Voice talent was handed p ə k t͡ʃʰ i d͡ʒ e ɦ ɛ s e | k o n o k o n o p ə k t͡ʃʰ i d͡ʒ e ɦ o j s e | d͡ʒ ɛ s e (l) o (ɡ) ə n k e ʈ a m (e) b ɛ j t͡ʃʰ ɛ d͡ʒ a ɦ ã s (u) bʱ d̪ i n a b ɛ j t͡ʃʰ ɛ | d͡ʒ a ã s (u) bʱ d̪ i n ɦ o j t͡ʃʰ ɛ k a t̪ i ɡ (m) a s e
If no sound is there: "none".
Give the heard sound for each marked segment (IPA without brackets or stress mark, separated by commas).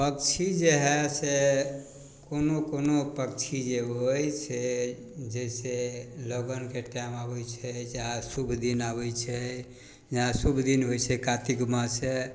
l, ɡ, a, u, u, m